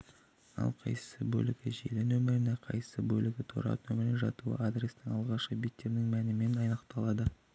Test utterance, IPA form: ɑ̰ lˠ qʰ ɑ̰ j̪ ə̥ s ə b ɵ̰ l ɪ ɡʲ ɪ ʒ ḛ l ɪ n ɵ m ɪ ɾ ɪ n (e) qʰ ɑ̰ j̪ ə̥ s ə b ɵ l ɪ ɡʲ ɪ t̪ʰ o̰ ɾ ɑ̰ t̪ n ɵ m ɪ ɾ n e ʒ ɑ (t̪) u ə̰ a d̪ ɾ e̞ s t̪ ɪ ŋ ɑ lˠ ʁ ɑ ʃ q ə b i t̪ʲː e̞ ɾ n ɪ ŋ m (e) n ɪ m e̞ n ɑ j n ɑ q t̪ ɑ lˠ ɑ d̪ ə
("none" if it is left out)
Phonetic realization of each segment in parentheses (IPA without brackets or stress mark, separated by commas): e, t̪, æ